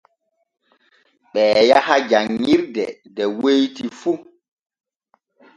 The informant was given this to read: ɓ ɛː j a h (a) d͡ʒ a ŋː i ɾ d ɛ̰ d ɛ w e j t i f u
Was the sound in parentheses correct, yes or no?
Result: yes